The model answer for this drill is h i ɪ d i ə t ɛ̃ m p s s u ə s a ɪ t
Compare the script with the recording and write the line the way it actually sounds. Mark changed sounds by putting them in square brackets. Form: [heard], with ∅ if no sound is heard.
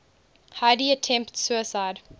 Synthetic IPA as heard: h [a] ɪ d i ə [tʰ] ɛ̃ m p [t] s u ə s a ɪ [d]